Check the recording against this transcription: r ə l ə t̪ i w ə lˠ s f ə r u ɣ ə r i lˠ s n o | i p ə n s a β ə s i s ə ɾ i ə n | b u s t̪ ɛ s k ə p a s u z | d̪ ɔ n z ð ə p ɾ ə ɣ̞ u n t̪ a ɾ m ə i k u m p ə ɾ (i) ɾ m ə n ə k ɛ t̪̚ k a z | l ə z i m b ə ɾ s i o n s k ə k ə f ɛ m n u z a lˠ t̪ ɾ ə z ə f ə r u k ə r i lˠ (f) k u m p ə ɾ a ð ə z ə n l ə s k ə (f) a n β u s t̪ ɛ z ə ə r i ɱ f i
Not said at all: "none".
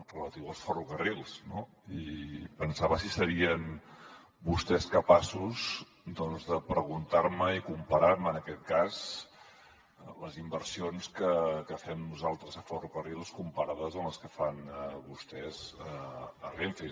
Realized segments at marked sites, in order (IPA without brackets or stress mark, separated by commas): a, s, f